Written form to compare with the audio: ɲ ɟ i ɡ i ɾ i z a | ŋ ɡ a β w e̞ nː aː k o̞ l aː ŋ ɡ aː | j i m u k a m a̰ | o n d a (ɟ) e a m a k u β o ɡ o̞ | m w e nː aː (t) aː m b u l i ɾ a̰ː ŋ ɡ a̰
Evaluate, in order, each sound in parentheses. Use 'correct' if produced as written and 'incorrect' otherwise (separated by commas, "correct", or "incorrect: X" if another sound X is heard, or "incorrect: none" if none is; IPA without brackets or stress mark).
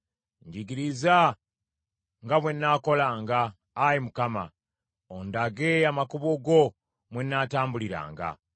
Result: incorrect: ɡ, correct